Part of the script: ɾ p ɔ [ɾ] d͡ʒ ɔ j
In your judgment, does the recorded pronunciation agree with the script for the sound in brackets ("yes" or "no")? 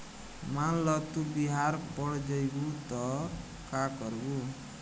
no